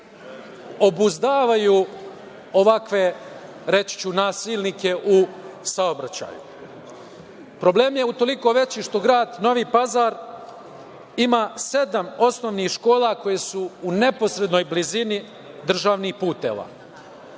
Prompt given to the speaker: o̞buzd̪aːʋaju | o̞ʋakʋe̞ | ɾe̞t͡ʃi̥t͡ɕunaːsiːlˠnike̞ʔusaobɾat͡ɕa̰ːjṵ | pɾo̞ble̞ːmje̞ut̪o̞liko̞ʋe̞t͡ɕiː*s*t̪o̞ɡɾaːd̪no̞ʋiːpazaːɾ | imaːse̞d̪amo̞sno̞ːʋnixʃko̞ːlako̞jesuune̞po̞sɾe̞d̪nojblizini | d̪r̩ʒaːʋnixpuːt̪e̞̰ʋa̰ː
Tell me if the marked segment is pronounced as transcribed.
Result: no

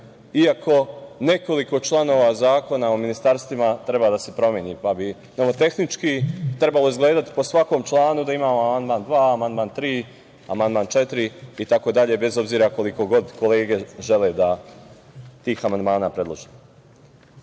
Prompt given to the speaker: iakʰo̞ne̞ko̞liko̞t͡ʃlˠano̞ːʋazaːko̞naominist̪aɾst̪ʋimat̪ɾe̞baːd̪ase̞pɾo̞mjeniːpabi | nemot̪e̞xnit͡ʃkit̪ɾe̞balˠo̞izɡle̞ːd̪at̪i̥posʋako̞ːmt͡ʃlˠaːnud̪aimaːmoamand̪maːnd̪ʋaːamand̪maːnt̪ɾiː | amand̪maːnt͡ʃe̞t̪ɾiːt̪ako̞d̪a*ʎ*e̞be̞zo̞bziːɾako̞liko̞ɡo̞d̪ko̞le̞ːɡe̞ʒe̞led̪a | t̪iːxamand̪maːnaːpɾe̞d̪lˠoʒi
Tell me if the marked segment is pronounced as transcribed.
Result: yes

